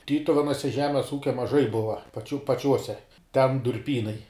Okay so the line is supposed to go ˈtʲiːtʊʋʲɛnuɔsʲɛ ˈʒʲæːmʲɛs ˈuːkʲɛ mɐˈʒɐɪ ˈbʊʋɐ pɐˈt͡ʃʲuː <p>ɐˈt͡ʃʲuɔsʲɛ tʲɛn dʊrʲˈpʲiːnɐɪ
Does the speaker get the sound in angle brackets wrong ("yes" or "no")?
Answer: no